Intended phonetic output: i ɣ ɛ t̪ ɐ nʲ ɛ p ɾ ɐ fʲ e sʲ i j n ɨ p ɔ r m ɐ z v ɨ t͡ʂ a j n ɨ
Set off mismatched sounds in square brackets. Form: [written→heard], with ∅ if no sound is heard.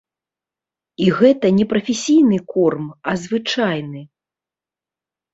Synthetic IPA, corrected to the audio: i ɣ ɛ t̪ ɐ nʲ ɛ p ɾ ɐ fʲ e sʲ i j n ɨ [p→k] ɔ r m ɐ z v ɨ t͡ʂ a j n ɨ